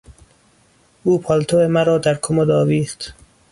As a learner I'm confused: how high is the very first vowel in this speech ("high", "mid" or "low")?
high